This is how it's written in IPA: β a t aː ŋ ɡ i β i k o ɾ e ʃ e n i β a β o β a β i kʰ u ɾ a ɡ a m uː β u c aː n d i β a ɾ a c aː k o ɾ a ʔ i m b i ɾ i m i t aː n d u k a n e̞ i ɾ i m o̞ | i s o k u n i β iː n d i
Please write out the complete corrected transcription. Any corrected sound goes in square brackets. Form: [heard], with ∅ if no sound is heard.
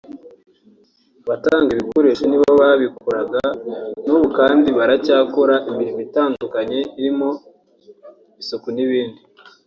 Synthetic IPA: β a t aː ŋ ɡ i β i k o ɾ e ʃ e n i β a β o β a β i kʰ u ɾ a ɡ a [n] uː β u [k] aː n d i β a ɾ a c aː k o ɾ a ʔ i m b i ɾ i m i t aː n d u k a [ɲ] e̞ i ɾ i m o̞ | i s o k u n i β iː n d i